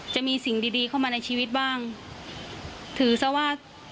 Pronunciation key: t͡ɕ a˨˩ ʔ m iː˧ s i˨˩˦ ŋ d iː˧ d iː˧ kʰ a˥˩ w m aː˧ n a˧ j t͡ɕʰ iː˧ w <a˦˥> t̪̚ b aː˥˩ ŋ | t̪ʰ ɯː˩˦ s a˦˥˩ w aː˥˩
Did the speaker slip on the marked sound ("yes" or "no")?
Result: yes